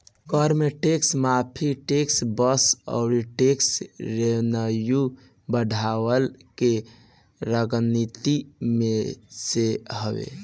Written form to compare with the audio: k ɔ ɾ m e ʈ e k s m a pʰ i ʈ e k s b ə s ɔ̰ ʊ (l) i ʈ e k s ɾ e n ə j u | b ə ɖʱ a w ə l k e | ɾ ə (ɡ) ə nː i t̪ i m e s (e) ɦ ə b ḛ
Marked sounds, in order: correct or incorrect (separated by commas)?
incorrect, correct, correct